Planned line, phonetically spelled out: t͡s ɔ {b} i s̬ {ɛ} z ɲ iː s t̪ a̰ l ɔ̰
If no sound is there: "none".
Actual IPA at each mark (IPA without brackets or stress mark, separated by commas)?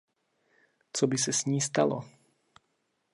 b, ɛ